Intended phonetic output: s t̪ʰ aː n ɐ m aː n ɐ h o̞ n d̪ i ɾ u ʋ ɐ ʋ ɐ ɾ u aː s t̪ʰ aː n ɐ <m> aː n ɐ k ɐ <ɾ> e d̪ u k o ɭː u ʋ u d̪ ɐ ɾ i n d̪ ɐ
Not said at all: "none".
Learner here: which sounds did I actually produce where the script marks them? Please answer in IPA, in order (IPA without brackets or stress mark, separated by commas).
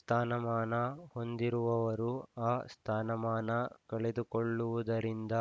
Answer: m, ɭ